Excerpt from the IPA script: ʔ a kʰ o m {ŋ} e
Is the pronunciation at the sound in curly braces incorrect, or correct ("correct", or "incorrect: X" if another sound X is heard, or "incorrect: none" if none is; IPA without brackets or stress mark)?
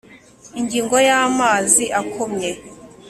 incorrect: ɲ